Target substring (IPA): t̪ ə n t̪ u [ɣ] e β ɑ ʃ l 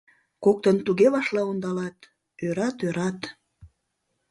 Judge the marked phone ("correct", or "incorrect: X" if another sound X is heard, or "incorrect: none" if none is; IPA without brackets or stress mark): correct